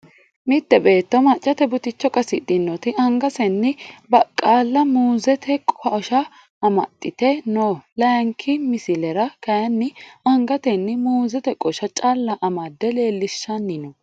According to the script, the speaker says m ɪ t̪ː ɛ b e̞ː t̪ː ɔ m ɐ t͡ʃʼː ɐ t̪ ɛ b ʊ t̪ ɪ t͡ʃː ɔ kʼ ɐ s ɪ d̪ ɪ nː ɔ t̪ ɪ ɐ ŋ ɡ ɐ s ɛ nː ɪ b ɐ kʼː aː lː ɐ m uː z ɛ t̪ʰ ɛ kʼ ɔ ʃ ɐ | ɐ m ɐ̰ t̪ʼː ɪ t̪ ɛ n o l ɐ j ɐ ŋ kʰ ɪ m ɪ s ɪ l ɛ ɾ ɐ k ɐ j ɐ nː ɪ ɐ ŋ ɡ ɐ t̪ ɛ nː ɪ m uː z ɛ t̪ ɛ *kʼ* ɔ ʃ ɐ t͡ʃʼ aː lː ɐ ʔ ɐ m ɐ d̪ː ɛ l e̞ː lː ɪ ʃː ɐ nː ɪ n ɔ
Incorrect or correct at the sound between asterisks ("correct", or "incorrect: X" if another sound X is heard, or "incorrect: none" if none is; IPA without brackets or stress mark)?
correct